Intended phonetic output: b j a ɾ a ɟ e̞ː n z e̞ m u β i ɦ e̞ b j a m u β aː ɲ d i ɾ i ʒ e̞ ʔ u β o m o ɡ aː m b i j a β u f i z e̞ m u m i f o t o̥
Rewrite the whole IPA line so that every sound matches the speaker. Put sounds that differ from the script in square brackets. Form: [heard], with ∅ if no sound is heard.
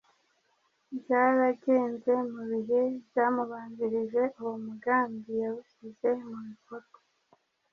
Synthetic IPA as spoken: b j a ɾ a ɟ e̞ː n z e̞ m u β i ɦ e̞ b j a m u β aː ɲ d i ɾ i ʒ e̞ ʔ u [w] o m [u] ɡ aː m b i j a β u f i z e̞ m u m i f o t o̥

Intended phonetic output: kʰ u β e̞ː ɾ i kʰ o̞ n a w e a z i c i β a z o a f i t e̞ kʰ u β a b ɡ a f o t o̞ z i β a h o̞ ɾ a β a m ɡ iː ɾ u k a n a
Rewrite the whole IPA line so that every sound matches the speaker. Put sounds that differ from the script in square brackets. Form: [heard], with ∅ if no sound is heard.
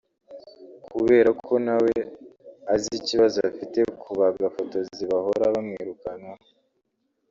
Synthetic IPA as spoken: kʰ u β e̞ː ɾ [a] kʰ o̞ n a w e a z i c i β a z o a f i t e̞ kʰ u β a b ɡ a f o t o̞ z i β a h o̞ ɾ a β a m [ŋ] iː ɾ u k a n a

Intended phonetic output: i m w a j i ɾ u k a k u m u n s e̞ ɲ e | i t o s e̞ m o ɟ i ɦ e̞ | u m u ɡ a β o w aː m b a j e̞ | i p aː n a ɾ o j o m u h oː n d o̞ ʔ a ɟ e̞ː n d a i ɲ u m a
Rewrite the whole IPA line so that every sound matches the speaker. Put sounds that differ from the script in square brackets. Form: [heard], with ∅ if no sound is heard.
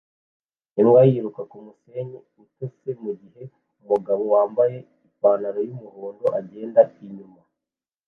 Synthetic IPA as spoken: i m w a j i ɾ u k a k u m u [∅] s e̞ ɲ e | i t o s e̞ m [u] ɟ i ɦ e̞ | u m u ɡ a β o w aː m b a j e̞ | i p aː n a ɾ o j [u] m u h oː n d o̞ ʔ a ɟ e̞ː n d a i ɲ u m a

